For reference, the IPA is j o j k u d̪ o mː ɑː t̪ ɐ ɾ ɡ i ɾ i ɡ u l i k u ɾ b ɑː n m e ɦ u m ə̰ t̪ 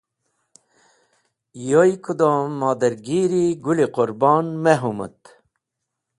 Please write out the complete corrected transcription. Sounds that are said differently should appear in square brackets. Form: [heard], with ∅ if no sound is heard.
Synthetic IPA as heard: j o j k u d̪ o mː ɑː [d̪] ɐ ɾ ɡ i ɾ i ɡ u l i [q] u ɾ b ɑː n m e ɦ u m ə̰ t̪